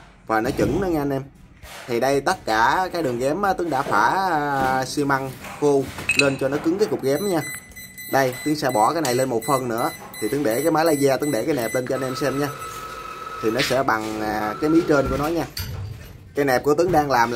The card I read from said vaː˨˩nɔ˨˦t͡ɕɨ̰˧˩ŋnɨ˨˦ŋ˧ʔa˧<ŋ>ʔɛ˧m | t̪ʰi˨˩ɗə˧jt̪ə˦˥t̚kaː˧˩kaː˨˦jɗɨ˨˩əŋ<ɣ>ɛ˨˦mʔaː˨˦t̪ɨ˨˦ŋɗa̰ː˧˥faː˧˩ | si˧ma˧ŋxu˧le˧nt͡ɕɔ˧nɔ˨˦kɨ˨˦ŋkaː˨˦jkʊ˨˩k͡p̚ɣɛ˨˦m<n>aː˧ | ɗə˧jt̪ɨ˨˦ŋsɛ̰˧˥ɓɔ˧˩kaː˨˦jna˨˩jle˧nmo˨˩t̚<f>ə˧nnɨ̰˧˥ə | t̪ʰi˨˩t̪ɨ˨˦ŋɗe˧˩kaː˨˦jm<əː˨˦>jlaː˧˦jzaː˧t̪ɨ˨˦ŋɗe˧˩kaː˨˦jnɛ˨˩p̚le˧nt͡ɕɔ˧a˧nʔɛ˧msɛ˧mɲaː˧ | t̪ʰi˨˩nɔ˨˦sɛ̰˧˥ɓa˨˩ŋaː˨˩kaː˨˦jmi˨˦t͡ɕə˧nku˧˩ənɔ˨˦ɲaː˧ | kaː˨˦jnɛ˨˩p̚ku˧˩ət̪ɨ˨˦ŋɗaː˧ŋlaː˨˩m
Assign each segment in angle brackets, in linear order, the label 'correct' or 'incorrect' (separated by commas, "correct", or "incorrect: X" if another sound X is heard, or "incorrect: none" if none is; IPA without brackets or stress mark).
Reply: incorrect: n, correct, incorrect: ɲ, correct, incorrect: aː˨˦